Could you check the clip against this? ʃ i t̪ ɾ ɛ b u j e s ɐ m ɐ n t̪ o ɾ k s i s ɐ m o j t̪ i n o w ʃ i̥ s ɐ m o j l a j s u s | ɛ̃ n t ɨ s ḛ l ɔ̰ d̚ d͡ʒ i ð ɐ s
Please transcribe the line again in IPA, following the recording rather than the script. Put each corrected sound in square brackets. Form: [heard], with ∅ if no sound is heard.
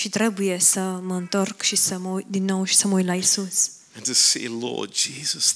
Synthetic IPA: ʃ i t̪ ɾ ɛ b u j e s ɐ m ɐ n t̪ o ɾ k [ʃ] i s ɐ m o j [d̪] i n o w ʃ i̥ s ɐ m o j l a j s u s | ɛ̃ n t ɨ s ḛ l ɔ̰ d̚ d͡ʒ i [z] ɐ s